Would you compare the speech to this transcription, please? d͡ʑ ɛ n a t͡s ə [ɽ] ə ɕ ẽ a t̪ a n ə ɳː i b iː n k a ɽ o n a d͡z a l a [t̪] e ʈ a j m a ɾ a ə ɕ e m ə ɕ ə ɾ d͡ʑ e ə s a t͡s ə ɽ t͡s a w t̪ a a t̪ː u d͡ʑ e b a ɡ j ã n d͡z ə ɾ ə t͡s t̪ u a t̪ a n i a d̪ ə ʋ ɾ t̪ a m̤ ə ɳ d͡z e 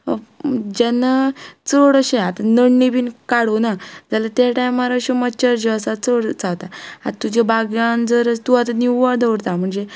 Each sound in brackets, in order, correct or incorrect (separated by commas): correct, correct